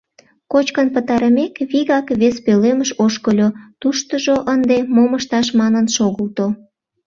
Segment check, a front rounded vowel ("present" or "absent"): absent